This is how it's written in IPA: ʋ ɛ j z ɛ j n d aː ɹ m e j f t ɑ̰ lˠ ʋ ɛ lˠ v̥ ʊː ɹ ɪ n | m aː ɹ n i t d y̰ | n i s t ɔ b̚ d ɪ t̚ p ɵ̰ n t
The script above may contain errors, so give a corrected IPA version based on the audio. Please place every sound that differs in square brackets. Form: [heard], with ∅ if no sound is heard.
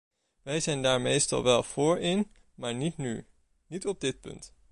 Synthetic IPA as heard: ʋ ɛ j z ɛ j n d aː ɹ m e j [s] t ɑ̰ lˠ ʋ ɛ lˠ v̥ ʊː ɹ ɪ n | m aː ɹ n i t [n] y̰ | n i [∅] t ɔ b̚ d ɪ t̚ p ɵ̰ n t